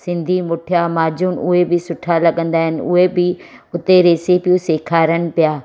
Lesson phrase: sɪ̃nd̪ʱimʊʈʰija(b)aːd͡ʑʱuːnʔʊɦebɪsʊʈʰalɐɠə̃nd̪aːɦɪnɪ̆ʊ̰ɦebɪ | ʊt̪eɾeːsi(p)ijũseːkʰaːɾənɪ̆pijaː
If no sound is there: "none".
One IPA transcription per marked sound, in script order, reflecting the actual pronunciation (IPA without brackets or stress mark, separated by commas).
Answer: m, p